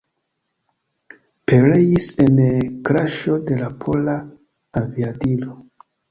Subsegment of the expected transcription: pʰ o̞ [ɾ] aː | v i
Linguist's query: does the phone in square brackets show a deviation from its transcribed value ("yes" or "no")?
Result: yes